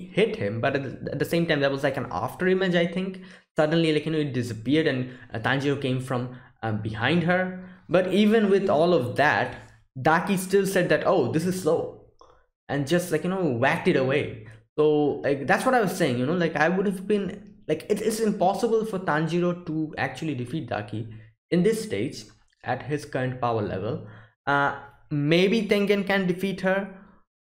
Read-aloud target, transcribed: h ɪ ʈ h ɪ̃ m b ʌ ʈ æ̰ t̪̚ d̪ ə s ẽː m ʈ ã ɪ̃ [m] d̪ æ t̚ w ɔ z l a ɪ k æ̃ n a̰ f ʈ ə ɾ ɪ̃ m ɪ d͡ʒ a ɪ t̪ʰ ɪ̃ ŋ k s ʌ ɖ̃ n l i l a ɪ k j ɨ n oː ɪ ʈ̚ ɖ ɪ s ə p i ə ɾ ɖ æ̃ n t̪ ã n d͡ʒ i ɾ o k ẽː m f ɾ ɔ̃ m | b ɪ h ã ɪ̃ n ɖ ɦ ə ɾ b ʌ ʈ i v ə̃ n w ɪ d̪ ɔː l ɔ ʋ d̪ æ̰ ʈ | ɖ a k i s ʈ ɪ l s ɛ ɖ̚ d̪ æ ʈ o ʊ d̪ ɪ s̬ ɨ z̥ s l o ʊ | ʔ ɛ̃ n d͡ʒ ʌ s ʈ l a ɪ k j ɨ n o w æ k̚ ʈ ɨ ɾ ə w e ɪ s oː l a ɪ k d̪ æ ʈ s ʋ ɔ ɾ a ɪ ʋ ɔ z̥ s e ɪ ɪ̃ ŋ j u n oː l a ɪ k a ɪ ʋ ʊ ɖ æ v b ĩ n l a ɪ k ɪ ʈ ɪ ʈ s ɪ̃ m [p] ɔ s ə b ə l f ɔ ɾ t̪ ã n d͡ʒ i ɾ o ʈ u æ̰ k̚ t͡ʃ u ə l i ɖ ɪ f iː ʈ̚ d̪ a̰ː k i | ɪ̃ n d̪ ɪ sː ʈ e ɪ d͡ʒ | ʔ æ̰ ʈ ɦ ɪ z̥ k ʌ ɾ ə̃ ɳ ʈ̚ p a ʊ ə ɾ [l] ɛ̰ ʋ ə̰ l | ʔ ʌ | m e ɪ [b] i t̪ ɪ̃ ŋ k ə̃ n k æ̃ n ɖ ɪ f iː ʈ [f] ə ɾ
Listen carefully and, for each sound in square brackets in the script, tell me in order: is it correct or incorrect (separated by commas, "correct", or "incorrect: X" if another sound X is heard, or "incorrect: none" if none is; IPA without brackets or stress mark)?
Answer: correct, correct, correct, correct, incorrect: h